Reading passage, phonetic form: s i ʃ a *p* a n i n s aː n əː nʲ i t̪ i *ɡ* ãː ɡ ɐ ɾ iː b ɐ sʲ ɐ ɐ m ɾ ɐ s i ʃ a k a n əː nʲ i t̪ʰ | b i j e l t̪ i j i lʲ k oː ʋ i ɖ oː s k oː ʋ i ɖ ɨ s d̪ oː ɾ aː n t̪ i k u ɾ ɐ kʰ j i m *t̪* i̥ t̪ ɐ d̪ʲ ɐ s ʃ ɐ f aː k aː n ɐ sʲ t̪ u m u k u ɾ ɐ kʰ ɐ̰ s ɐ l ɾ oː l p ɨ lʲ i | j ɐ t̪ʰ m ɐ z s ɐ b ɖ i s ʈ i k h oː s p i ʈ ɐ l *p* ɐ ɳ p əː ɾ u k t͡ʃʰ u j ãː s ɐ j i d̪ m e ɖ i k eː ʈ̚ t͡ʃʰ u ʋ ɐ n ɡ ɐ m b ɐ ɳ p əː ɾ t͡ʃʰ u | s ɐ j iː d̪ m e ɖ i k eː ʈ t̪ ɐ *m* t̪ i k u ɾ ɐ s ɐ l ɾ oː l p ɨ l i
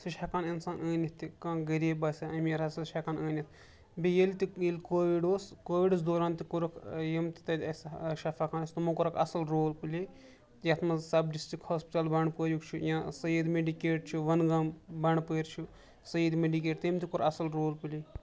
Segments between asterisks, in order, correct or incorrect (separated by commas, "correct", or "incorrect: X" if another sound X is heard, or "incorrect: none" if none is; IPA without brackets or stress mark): incorrect: k, incorrect: k, correct, incorrect: b, correct